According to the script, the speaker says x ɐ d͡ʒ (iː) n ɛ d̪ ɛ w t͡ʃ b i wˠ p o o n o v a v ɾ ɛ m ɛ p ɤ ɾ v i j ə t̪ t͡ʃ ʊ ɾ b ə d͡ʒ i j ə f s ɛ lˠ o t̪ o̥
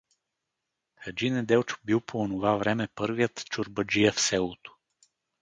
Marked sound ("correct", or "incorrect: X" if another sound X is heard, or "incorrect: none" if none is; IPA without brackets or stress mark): incorrect: i